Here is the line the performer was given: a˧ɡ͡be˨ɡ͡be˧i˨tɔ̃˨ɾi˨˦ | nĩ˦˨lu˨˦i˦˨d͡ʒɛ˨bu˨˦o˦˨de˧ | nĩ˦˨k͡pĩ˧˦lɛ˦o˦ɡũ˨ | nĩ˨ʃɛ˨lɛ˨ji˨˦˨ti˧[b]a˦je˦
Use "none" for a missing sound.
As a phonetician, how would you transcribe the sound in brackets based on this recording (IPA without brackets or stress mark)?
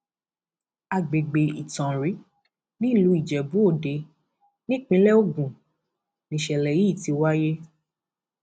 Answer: w